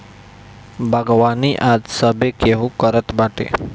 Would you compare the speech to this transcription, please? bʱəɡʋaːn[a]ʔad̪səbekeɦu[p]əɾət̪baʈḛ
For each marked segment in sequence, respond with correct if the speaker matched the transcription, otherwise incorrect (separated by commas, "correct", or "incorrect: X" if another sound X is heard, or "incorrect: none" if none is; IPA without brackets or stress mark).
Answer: incorrect: i, incorrect: k